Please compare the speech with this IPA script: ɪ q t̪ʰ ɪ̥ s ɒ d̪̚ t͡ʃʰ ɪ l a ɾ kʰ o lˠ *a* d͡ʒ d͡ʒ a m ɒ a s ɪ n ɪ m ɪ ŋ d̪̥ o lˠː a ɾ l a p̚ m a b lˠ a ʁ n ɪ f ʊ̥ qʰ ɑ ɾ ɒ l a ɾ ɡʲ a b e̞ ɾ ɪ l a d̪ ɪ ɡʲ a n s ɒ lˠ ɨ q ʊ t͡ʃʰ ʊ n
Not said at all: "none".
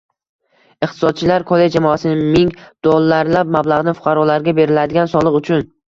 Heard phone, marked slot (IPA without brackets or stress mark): e